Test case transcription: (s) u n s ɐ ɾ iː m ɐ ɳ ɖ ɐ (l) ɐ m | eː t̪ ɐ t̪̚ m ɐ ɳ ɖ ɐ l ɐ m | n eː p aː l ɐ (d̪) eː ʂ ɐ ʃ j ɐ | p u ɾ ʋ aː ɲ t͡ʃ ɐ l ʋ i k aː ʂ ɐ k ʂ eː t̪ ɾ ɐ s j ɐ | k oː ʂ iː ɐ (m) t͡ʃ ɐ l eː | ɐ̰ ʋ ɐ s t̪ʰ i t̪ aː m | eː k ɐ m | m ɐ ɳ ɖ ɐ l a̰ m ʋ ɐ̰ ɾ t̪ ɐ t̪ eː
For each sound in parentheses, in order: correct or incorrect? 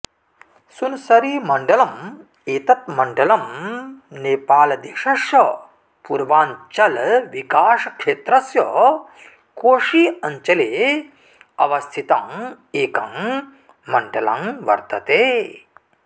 correct, correct, correct, incorrect: ɲ

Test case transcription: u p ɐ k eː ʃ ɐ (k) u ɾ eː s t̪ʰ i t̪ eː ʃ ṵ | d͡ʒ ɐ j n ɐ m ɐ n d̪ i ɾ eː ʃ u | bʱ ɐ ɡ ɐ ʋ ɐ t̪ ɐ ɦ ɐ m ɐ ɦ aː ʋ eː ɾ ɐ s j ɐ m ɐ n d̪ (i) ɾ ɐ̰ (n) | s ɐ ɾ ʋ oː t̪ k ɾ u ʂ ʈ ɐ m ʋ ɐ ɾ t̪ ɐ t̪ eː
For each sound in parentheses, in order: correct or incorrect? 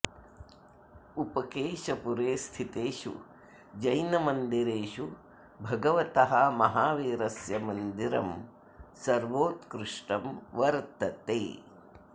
incorrect: p, correct, incorrect: m

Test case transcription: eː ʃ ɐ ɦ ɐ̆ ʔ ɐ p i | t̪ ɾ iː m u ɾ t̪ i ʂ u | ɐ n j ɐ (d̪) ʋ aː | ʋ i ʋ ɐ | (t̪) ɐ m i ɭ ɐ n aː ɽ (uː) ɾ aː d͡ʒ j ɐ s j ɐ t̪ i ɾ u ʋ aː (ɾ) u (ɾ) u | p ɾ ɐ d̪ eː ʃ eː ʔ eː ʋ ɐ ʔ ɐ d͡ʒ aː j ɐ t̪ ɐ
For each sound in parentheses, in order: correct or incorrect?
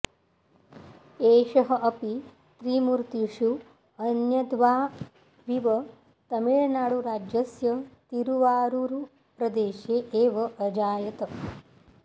correct, correct, incorrect: u, correct, correct

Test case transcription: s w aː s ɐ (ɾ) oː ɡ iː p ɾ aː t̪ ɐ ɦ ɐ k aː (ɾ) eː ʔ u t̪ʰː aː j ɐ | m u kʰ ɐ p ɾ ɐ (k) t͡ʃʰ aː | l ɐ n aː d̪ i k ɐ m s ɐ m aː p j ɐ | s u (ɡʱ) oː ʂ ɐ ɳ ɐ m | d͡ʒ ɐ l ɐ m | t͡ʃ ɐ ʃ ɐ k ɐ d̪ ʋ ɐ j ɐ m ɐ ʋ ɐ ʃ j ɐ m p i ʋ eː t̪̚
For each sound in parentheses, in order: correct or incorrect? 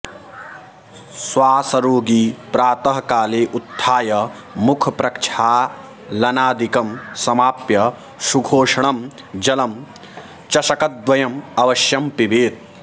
correct, incorrect: l, correct, correct

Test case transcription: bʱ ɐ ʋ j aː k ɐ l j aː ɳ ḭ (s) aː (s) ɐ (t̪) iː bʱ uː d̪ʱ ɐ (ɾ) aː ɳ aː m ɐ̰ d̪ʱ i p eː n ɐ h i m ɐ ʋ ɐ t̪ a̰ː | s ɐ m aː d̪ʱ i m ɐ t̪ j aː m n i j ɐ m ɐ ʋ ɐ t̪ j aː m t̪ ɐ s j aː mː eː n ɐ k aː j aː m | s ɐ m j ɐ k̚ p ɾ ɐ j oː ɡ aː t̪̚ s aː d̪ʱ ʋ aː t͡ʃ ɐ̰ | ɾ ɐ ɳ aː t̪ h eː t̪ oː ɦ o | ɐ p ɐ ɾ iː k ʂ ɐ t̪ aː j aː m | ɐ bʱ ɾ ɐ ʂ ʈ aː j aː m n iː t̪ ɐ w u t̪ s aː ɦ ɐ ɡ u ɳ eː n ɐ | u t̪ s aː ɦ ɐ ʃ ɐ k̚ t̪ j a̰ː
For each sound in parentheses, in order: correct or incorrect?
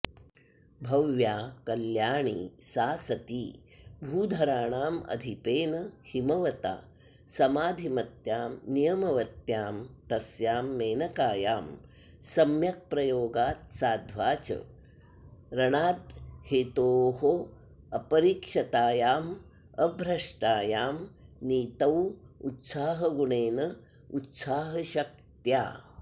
correct, correct, correct, correct

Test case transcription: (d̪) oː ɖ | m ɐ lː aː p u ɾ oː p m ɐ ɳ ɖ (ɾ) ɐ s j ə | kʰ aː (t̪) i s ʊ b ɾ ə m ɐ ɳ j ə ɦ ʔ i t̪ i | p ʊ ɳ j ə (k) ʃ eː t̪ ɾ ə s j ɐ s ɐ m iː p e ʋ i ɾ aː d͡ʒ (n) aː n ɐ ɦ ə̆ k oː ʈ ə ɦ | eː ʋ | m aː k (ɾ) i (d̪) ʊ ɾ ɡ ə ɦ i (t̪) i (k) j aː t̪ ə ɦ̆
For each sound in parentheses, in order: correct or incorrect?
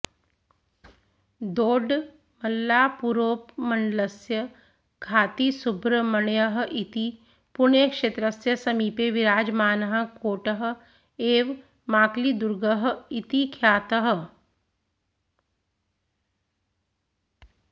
correct, incorrect: l, correct, correct, incorrect: m, incorrect: l, correct, correct, incorrect: kʰ

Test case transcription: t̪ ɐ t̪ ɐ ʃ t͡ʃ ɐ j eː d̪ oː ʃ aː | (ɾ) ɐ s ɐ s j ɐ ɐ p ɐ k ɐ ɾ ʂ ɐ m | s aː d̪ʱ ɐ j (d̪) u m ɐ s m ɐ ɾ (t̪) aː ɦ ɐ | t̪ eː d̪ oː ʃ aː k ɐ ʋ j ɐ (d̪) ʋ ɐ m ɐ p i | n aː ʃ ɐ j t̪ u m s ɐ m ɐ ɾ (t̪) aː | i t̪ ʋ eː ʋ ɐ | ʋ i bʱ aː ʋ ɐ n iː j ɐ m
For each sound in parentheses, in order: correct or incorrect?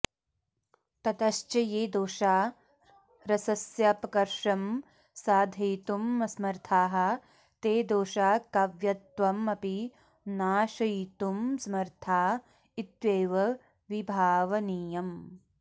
correct, incorrect: t̪, incorrect: t̪ʰ, incorrect: t̪, incorrect: t̪ʰ

